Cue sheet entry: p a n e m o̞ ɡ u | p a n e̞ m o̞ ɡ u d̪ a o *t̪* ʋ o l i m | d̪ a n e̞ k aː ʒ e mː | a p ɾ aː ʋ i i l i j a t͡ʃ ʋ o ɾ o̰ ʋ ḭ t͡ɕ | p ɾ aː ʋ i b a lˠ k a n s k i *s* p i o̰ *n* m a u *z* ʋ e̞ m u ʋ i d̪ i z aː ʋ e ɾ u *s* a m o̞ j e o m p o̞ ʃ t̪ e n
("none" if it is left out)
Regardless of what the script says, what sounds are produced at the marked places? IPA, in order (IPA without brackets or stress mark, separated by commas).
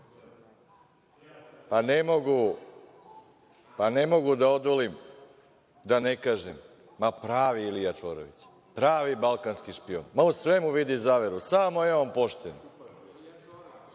d̪, ʃ, n, s, s